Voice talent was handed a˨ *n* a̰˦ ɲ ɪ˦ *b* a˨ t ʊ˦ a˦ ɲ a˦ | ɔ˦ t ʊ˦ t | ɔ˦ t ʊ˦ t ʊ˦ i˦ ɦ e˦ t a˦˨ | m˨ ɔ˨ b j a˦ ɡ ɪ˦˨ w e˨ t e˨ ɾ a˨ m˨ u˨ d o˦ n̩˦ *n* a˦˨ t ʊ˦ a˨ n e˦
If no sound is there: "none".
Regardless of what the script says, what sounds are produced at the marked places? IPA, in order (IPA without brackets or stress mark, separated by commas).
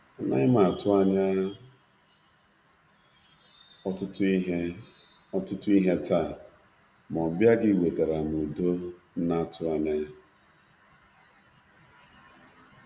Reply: n, m, n